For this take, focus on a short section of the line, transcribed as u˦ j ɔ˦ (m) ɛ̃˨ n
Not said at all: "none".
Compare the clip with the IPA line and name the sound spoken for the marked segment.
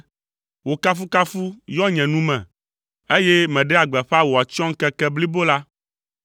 ɲ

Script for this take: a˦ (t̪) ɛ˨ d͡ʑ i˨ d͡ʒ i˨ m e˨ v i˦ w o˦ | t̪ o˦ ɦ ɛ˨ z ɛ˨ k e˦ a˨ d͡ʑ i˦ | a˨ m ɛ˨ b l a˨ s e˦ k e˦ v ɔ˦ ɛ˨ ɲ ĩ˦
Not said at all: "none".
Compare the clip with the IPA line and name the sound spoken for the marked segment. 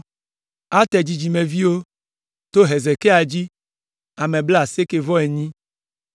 t̪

